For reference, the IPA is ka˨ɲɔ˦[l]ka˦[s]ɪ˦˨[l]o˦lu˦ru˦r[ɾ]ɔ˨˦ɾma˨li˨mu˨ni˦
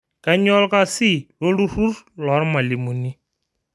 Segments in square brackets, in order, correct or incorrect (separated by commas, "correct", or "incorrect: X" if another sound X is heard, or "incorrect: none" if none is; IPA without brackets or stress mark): correct, correct, correct, incorrect: l